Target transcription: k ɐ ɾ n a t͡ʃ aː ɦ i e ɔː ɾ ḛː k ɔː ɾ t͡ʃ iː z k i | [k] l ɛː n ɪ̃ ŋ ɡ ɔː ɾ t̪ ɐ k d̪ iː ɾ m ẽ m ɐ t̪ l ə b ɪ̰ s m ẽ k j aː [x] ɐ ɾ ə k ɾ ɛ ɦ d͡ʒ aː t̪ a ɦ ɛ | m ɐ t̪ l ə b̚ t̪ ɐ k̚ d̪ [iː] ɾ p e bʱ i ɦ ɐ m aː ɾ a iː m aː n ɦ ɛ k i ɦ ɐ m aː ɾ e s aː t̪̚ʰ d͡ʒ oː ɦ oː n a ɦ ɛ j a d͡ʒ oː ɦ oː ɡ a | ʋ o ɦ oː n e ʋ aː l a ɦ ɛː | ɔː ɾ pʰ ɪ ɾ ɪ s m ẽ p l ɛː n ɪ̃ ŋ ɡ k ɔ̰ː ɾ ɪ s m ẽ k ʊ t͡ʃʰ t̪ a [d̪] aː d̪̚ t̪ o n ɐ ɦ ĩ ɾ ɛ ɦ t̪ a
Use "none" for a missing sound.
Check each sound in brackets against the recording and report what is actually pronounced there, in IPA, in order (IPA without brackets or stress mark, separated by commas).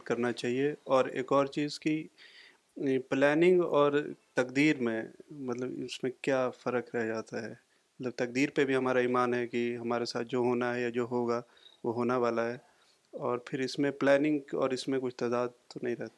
p, f, iː, d̪